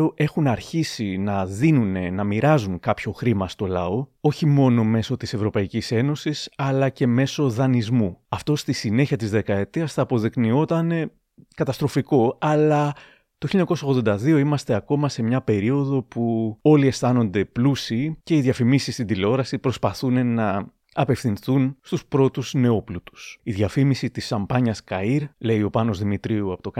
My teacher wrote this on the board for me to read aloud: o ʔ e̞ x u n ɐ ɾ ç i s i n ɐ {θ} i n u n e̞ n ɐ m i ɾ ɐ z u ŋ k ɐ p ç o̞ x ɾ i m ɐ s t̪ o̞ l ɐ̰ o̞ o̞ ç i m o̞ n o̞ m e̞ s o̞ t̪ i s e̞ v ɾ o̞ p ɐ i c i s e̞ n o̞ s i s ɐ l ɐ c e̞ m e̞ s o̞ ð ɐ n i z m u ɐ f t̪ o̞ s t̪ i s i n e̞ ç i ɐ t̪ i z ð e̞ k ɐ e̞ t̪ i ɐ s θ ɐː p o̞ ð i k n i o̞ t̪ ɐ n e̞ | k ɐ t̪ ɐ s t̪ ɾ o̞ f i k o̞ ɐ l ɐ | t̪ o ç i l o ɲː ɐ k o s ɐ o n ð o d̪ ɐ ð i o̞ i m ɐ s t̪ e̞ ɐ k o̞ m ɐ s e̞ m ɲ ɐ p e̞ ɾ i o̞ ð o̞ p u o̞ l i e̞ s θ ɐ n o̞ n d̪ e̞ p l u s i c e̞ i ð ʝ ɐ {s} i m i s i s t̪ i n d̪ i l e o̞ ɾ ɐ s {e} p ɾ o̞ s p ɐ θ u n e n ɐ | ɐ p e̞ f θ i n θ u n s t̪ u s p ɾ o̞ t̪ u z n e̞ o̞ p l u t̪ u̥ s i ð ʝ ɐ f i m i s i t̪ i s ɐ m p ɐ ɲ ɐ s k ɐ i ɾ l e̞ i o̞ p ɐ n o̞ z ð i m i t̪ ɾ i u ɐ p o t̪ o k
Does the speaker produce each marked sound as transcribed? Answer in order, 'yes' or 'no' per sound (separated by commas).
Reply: no, no, no